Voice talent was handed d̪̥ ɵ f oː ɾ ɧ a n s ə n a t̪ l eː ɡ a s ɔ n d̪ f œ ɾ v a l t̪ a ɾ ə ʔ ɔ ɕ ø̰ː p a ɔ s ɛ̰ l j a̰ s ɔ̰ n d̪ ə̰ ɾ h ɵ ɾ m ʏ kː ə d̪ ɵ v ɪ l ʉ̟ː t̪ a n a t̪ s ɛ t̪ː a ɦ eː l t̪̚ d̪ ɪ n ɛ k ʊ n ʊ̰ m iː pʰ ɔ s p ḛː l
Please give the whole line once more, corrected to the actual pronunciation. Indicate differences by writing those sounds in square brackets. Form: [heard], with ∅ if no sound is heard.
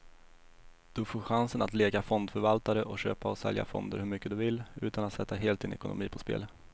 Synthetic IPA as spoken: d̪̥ ɵ f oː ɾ ɧ a n s ə n a t̪ l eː ɡ a [f] ɔ n d̪ f œ ɾ v a l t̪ a ɾ ə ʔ ɔ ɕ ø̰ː p a ɔ s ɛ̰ l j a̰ [f] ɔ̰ n d̪ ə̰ ɾ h ɵ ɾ m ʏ kː ə d̪ ɵ v ɪ l ʉ̟ː t̪ a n a t̪ s ɛ t̪ː a ɦ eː l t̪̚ d̪ ɪ n ɛ k ʊ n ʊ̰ m iː pʰ ɔ s p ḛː l

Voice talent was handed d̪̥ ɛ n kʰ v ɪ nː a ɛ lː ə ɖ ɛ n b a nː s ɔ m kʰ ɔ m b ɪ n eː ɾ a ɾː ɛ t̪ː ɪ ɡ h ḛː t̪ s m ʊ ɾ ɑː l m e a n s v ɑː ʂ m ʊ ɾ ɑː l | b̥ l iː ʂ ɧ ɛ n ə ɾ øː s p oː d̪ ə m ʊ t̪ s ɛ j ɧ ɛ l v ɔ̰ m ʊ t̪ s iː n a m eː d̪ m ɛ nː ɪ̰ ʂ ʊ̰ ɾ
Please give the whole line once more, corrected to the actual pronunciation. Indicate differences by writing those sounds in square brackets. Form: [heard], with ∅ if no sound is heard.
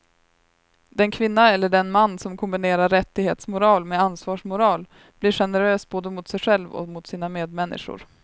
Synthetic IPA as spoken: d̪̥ ɛ n kʰ v ɪ nː a ɛ lː ə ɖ ɛ n [m] a nː s ɔ m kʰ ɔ m b ɪ n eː ɾ a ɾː ɛ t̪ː ɪ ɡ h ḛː t̪ s m ʊ ɾ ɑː l m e a n s v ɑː ʂ m ʊ ɾ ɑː l | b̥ l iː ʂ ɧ ɛ n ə ɾ øː s [b] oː d̪ ə m ʊ t̪ s ɛ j ɧ ɛ l v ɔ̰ m ʊ t̪ s iː n a m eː d̪ m ɛ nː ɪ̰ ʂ ʊ̰ ɾ

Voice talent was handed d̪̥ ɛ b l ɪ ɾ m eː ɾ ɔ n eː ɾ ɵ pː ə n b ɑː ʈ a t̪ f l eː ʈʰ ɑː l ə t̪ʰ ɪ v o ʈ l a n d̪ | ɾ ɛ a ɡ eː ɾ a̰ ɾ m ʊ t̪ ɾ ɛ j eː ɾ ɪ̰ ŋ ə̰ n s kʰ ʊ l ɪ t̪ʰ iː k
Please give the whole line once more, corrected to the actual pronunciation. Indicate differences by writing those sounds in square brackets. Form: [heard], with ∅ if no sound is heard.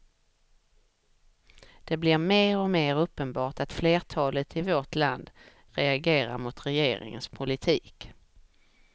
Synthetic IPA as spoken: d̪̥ ɛ b l ɪ ɾ m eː ɾ ɔ [m] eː ɾ ɵ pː ə n b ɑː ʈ a t̪ f l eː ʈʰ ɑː l ə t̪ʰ ɪ v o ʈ l a n d̪ | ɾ ɛ a ɡ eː ɾ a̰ ɾ m ʊ t̪ ɾ ɛ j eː ɾ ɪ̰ ŋ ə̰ n s [pʰ] ʊ l ɪ t̪ʰ iː k

